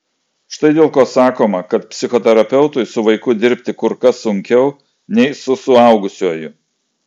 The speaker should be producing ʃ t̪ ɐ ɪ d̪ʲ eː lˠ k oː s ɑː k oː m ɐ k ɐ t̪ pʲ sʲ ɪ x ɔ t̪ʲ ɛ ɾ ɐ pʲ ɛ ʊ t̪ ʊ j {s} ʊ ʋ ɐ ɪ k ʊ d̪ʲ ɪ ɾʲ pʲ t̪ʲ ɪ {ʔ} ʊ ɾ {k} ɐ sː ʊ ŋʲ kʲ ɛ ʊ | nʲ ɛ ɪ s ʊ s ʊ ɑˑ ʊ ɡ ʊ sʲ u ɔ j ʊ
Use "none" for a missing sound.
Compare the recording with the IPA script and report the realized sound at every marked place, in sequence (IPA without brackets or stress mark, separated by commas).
s, k, k